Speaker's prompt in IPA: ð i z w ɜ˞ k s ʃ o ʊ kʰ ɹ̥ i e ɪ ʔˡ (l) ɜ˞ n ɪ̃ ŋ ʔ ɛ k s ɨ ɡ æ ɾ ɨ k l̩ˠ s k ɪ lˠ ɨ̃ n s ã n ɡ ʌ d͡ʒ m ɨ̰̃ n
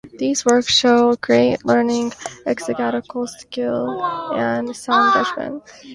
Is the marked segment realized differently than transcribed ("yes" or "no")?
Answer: no